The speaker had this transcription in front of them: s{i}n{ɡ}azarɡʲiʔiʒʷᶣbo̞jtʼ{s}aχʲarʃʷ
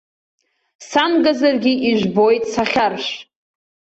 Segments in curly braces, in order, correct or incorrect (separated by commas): incorrect, correct, correct